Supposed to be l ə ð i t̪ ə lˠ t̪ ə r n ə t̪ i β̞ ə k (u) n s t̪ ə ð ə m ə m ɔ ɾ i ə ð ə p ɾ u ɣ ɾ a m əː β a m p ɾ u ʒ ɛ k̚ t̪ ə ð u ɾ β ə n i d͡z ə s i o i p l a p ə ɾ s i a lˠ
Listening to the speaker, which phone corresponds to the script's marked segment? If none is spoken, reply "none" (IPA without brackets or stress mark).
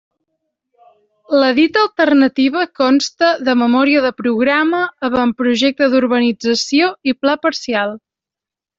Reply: ɔ